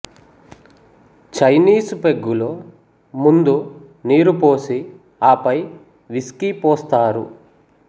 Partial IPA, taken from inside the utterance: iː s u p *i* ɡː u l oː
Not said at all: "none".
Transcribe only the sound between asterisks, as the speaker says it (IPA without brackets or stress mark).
e